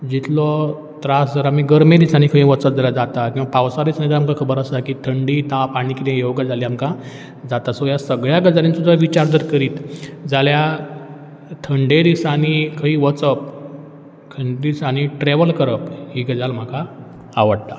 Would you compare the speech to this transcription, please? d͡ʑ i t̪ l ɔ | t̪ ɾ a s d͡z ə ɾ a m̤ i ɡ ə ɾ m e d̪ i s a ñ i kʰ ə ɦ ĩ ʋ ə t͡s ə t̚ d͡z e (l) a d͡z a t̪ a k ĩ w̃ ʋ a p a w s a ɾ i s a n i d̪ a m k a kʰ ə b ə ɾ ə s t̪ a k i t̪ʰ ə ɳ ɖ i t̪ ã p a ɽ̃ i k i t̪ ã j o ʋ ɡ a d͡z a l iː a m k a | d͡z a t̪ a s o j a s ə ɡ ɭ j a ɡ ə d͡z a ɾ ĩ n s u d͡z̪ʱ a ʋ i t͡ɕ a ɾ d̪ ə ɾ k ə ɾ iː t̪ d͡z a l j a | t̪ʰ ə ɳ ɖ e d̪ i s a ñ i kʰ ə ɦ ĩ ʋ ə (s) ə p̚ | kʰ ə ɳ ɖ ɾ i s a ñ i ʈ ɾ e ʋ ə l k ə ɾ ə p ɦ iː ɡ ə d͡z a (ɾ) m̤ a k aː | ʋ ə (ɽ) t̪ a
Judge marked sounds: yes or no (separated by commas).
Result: yes, no, no, yes